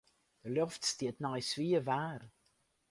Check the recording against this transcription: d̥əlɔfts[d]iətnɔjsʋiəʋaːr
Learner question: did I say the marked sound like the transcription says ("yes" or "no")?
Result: no